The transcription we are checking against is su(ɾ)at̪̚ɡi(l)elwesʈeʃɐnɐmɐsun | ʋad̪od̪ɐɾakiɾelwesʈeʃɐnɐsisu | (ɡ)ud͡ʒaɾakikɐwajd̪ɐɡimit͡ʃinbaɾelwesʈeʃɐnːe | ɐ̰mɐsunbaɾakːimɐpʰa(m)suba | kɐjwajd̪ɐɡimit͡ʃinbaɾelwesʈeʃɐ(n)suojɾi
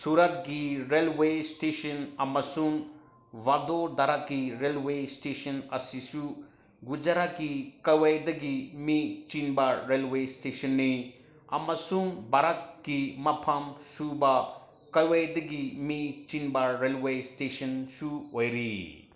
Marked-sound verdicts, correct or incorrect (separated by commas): correct, incorrect, correct, correct, correct